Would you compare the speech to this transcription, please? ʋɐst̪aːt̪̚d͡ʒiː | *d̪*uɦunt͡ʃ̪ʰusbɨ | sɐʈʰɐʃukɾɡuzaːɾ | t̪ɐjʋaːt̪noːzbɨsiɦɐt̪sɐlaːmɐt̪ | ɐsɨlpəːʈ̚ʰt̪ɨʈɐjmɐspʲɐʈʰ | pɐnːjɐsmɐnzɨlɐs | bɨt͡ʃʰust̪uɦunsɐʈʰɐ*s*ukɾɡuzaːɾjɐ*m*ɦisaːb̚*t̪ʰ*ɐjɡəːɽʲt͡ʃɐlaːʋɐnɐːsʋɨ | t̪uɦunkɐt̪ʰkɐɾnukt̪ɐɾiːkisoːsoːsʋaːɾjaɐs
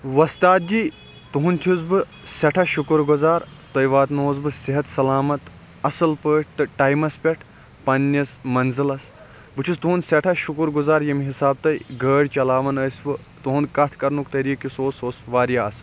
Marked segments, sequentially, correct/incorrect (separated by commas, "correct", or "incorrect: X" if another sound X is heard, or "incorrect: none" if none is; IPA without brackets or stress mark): incorrect: t̪, incorrect: ʃ, correct, incorrect: t̪